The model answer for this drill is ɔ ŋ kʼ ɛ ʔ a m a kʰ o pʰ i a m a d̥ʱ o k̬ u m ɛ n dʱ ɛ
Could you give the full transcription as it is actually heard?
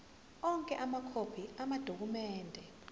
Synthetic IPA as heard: ɔ ŋ kʼ ɛ ʔ a m a kʰ o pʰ i a m a d̥ʱ o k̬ u m ɛː n dʱ ɛ